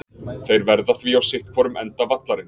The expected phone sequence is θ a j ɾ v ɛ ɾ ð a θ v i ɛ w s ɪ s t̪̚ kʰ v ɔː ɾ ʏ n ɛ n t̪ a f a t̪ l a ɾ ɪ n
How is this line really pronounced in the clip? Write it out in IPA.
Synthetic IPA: θ e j ɾ v ɛ ɾ ð a θ v i a w s ɪ h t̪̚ kʰ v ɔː ɾ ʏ m ɛ n t̪ a v a t̪ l a ɾ ɪ n